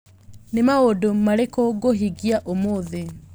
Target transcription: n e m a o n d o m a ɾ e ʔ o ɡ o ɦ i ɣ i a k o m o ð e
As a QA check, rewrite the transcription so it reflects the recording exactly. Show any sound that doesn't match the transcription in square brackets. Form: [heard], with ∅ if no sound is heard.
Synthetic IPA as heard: n e m a o [∅] d o m a ɾ e [k] o ɡ o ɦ i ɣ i a [ʔ] o m o ð e